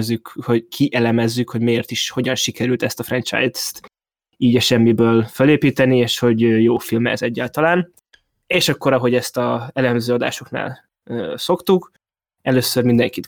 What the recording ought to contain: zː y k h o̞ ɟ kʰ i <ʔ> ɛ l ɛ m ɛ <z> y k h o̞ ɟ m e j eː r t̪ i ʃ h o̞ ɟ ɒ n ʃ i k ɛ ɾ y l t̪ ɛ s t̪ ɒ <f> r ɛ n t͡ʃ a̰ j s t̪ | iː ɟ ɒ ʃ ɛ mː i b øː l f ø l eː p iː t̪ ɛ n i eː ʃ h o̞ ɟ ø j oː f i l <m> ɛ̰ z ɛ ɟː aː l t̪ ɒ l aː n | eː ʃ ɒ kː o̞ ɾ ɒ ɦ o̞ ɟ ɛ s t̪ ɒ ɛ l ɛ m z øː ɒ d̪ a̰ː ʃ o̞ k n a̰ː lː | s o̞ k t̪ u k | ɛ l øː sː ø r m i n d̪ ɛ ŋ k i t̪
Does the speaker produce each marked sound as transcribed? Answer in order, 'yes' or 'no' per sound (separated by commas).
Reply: yes, no, yes, yes